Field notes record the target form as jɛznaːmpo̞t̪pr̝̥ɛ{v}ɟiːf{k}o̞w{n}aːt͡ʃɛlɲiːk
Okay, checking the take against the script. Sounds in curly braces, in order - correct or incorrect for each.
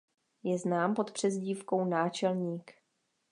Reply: incorrect: z, correct, correct

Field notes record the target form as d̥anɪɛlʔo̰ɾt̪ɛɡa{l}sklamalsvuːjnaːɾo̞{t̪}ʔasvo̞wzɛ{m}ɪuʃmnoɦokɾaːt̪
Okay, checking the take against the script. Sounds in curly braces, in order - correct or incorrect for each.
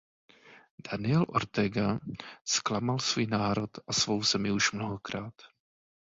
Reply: incorrect: none, correct, correct

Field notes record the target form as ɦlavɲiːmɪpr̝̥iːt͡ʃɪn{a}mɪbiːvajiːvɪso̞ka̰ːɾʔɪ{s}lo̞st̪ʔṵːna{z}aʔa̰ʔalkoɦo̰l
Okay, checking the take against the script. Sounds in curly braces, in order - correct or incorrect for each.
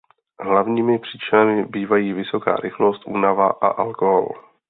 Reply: correct, incorrect: x, incorrect: v

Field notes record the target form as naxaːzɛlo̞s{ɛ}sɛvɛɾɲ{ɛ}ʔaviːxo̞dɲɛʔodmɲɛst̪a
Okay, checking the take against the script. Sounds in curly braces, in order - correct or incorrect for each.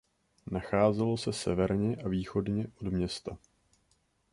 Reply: correct, correct

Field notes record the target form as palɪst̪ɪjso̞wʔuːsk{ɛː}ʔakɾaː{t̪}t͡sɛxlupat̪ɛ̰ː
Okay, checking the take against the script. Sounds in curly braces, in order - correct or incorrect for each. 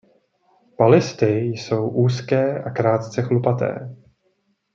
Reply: correct, correct

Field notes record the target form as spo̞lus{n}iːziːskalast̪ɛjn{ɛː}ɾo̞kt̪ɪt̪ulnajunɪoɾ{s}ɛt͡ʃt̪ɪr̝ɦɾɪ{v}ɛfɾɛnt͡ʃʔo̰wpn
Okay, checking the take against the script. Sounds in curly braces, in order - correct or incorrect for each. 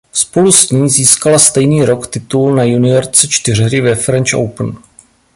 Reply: incorrect: ɲ, incorrect: iː, incorrect: t͡s, correct

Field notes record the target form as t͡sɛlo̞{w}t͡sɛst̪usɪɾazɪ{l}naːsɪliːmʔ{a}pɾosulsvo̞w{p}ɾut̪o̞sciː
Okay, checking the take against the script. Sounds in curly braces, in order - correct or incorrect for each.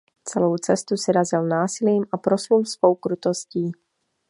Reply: correct, correct, correct, incorrect: k

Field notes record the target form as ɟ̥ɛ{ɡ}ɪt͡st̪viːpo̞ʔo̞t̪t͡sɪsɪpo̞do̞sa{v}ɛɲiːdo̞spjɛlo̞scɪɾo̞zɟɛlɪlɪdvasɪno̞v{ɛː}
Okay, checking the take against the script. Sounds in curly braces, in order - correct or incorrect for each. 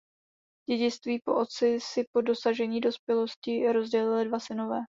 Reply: incorrect: ɟ, incorrect: ʒ, correct

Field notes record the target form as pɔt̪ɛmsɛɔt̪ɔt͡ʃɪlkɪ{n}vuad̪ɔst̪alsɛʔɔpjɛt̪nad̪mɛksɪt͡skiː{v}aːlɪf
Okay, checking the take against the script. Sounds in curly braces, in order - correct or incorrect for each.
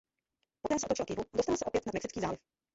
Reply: incorrect: none, incorrect: z

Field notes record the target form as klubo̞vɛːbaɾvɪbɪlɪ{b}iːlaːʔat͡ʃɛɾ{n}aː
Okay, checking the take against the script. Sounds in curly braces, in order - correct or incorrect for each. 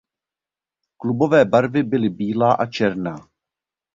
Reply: correct, correct

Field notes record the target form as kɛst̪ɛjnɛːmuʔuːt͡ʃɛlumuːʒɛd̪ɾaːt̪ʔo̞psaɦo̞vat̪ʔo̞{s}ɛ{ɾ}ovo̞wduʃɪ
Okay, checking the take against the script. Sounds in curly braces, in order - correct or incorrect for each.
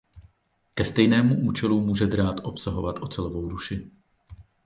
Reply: incorrect: t͡s, incorrect: l

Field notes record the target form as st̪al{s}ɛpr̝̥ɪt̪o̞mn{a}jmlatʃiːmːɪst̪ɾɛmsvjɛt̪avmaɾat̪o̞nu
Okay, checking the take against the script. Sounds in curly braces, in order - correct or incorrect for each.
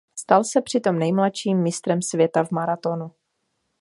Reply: correct, incorrect: ɛ

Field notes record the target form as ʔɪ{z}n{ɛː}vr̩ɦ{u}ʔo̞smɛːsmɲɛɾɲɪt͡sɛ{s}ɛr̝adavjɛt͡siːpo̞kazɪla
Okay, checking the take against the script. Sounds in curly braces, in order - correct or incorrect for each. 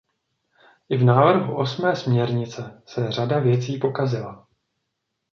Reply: incorrect: v, incorrect: aː, correct, correct

